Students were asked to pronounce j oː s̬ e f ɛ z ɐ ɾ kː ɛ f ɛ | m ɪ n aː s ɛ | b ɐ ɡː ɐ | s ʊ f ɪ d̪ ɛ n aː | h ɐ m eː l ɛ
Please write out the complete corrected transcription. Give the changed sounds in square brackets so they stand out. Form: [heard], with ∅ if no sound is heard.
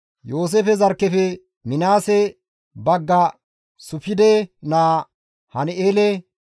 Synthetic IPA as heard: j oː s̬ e f ɛ z ɐ ɾ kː ɛ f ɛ | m ɪ n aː s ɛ | b ɐ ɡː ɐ | s ʊ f ɪ d̪ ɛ n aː | h ɐ [n] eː l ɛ